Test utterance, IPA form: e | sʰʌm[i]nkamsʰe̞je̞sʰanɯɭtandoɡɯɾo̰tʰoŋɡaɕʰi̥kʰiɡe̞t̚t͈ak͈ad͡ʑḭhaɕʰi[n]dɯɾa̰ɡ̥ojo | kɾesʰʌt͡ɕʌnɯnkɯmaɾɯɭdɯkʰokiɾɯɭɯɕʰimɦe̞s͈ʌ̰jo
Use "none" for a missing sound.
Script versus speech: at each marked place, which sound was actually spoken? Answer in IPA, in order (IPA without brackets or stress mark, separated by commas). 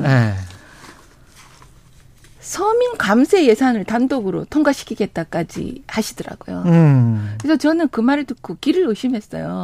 i, none